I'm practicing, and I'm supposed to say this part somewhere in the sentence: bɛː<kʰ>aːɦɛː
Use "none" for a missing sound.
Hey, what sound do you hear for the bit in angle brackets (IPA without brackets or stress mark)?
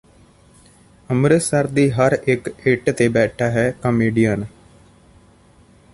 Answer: ʈʰ